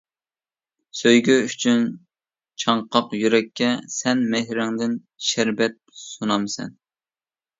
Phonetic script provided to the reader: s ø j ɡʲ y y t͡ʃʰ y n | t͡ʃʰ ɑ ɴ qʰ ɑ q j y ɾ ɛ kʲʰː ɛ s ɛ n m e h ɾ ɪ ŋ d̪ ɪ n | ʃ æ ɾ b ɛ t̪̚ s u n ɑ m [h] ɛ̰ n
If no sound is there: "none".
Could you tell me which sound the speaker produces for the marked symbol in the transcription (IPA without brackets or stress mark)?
s